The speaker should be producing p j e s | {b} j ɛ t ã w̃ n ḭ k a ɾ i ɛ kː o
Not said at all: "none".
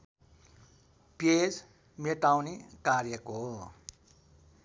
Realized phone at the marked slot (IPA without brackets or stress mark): m